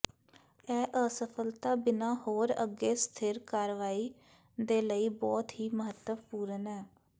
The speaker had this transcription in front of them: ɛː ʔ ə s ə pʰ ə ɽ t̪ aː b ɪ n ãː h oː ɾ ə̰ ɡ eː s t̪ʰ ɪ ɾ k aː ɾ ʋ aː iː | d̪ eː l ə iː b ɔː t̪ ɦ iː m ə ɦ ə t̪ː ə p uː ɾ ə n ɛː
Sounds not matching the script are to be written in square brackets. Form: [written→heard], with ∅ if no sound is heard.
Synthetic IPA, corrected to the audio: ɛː ʔ ə s ə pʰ ə [ɽ→l] t̪ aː b ɪ n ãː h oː ɾ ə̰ ɡ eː s t̪ʰ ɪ ɾ k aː ɾ ʋ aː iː | d̪ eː l ə iː b ɔː t̪ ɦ iː m ə ɦ ə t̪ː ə p uː ɾ ə n ɛː